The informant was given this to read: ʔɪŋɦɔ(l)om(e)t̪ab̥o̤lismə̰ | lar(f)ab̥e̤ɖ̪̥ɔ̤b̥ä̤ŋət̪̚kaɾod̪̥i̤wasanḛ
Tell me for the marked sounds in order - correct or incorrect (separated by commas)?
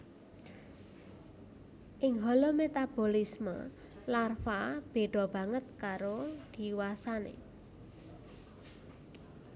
correct, correct, correct